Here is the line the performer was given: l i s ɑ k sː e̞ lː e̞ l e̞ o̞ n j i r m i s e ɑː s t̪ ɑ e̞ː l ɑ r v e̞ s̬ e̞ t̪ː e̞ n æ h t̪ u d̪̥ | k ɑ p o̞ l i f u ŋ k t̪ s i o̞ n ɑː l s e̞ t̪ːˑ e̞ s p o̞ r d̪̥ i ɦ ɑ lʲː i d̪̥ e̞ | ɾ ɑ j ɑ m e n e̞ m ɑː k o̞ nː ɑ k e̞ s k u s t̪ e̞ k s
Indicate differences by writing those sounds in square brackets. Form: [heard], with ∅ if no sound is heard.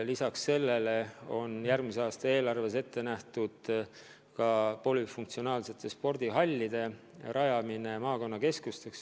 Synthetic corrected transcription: l i s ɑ k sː e̞ lː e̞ l e̞ o̞ n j [æ] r m i s e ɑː s t̪ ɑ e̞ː l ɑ r v e̞ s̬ e̞ t̪ː e̞ n æ h t̪ u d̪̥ | k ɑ p o̞ l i f u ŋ k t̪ s i o̞ n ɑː l s e̞ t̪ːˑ e̞ s p o̞ r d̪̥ i ɦ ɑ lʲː i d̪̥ e̞ | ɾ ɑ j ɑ m [i] n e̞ m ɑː k o̞ nː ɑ k e̞ s k u s t̪ e̞ k s